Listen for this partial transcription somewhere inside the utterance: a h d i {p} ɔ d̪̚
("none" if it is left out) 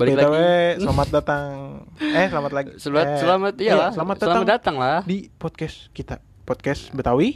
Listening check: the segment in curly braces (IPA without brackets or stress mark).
p